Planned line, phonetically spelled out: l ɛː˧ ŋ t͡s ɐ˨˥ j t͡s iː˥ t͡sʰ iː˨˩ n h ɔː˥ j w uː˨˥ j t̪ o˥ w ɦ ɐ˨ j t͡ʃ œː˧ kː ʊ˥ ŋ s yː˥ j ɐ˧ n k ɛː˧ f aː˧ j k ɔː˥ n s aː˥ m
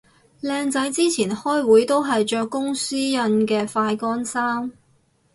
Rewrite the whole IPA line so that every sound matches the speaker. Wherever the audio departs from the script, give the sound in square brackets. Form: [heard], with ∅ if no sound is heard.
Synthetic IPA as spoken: l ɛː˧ ŋ t͡s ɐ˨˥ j t͡s iː˥ t͡sʰ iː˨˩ n h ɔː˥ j w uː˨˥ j t̪ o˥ w ɦ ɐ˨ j t͡ʃ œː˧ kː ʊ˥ ŋ s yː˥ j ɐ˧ n k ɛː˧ f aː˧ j k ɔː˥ n s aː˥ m

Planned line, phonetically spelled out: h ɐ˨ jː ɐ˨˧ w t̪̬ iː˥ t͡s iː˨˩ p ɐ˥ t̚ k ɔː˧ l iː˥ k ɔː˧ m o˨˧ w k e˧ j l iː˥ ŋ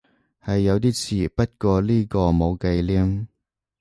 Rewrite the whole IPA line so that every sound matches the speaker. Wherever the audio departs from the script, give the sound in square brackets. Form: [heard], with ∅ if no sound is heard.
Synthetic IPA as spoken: h ɐ˨ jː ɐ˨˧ w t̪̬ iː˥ [t͡sʰ] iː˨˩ p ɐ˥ t̚ k ɔː˧ l iː˥ k ɔː˧ m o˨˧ w k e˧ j l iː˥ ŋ

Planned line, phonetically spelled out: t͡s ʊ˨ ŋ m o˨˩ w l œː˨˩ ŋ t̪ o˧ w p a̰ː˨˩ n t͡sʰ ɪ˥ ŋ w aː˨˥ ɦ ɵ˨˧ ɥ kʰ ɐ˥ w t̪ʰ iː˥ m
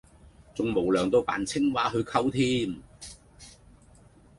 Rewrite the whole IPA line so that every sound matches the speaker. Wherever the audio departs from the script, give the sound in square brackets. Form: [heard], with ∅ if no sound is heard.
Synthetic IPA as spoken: t͡s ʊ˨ ŋ m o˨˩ w l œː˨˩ ŋ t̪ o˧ w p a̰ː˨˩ n t͡sʰ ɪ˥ ŋ w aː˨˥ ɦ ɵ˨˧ ɥ kʰ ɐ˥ w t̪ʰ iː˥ m

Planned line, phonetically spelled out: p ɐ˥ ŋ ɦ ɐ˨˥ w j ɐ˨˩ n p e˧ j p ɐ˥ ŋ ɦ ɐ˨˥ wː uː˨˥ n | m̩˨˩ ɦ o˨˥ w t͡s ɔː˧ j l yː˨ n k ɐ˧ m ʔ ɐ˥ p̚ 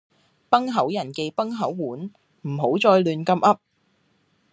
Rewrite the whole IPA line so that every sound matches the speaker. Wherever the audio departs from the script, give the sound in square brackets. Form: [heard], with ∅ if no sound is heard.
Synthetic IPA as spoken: p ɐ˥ ŋ ɦ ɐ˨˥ w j ɐ˨˩ n [k] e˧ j p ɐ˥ ŋ ɦ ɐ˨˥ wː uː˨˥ n | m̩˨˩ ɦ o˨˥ w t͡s ɔː˧ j l yː˨ n k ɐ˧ m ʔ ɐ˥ p̚

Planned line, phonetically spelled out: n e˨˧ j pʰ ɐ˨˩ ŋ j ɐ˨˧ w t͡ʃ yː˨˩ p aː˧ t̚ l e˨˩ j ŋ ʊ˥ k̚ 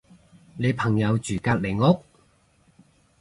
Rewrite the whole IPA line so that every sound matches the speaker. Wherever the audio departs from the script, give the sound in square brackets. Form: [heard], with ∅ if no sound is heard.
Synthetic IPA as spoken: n e˨˧ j pʰ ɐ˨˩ ŋ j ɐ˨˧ w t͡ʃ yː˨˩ [k] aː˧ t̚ l e˨˩ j ŋ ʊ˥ k̚

